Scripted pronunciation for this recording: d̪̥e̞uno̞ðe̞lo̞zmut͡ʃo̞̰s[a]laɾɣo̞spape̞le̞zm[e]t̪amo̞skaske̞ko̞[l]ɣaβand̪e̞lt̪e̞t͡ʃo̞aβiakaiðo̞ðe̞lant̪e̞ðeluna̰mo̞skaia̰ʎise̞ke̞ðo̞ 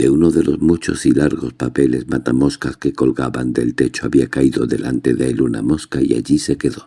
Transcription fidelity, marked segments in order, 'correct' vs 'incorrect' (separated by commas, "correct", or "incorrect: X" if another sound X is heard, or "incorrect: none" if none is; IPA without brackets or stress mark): incorrect: i, incorrect: a, correct